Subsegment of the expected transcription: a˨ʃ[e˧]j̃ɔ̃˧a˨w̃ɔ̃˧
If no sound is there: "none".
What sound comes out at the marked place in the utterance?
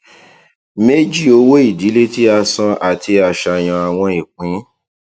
a˧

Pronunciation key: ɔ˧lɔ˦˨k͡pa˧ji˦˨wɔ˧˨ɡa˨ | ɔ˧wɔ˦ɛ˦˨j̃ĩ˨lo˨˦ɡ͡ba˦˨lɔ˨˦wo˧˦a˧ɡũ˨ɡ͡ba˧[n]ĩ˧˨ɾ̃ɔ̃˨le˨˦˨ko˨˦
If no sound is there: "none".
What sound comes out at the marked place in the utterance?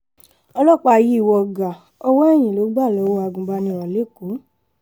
n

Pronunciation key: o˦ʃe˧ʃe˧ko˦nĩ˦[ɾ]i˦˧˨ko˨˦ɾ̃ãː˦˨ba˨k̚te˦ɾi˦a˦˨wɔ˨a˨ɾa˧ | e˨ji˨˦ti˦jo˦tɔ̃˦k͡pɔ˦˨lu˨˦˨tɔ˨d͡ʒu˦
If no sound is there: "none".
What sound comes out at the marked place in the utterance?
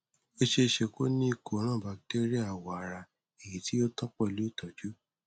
none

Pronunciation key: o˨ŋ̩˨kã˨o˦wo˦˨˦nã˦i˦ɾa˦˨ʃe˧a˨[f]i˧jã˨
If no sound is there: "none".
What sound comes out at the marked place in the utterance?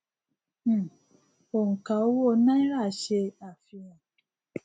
f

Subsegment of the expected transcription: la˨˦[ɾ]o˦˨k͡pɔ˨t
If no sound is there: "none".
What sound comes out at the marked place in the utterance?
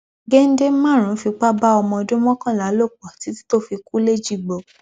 l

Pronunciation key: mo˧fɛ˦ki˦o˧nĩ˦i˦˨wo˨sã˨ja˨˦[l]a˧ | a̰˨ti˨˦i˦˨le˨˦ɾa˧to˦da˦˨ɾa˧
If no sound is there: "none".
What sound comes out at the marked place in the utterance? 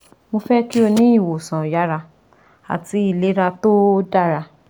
ɾ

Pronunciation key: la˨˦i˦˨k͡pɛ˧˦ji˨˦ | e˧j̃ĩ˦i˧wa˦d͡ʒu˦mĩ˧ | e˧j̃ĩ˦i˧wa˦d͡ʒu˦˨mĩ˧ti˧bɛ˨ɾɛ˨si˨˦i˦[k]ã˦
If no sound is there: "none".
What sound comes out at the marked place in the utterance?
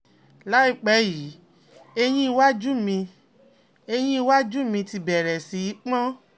k͡p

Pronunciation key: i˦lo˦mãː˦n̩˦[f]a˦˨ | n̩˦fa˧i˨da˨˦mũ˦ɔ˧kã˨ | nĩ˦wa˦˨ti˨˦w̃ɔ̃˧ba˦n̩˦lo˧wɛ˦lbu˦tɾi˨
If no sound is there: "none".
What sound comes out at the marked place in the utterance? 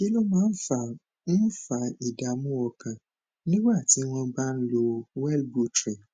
f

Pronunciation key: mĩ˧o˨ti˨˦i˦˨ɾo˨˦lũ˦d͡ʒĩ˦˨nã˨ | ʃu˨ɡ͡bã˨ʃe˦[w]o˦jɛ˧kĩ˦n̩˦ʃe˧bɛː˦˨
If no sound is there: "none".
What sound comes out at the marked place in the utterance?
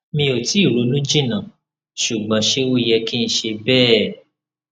w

